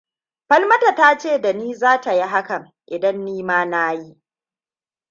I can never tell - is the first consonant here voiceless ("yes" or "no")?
yes